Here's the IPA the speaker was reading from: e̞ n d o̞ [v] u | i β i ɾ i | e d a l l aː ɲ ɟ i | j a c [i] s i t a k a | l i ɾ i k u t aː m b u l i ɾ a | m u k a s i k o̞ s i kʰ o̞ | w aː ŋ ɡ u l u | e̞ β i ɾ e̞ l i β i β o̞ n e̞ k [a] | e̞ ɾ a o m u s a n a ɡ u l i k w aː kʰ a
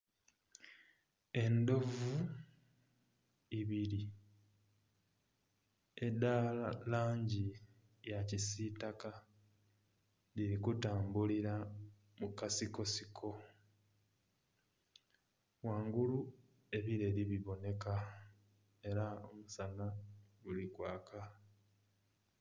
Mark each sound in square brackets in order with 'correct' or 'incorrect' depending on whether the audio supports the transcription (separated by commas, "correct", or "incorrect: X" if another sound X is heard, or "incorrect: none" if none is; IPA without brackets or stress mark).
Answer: correct, correct, correct